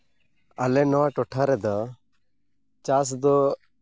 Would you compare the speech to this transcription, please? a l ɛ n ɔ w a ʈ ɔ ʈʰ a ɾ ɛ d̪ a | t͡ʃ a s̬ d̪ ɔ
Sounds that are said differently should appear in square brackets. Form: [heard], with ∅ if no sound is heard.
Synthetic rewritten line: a l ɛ n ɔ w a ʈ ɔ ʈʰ a ɾ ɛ d̪ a | t͡ʃ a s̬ d̪ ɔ